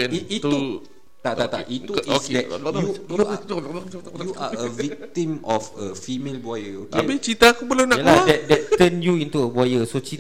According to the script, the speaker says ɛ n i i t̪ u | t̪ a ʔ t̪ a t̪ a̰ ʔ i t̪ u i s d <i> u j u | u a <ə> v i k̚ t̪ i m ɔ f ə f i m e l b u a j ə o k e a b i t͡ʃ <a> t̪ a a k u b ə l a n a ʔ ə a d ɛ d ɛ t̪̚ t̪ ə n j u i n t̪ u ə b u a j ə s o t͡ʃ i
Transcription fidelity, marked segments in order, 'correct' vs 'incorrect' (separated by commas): incorrect, correct, incorrect